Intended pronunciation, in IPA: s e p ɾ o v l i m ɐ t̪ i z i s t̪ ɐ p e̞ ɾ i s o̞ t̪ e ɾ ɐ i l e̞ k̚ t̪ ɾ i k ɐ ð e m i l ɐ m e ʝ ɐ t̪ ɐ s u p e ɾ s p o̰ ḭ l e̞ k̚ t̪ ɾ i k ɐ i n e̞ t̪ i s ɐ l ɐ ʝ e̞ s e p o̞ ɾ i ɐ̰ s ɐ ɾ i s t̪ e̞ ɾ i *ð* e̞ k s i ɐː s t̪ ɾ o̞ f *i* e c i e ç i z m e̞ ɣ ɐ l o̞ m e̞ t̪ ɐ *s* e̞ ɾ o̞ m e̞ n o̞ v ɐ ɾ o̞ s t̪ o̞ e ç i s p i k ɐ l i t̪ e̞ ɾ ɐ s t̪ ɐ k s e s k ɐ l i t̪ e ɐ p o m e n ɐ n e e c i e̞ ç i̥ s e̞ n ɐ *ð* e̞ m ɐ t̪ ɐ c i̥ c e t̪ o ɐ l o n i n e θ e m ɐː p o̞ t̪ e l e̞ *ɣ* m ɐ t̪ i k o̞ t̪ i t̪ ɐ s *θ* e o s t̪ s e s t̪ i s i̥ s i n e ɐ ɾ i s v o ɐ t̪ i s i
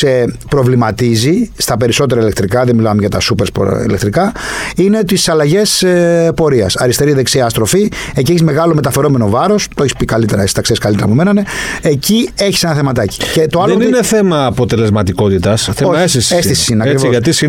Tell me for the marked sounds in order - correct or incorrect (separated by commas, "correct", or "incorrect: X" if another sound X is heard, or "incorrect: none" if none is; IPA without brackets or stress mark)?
correct, correct, incorrect: f, incorrect: θ, incorrect: z, correct